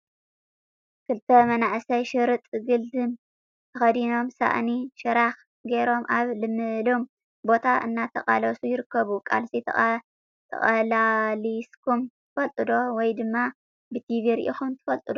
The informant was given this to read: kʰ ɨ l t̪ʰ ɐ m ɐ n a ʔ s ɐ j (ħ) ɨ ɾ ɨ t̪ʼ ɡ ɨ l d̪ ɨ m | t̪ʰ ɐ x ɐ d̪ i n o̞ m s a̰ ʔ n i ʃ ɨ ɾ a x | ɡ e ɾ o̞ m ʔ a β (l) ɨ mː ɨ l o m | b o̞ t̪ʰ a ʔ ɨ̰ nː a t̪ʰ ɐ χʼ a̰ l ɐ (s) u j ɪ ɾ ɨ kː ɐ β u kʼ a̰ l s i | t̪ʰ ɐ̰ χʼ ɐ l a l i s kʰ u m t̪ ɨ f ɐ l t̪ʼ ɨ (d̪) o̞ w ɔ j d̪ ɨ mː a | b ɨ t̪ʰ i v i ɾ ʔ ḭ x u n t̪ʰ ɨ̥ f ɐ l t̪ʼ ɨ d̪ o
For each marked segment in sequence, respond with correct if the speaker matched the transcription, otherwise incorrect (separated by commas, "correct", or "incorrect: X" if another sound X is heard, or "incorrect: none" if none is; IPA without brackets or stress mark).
incorrect: ʃ, correct, correct, correct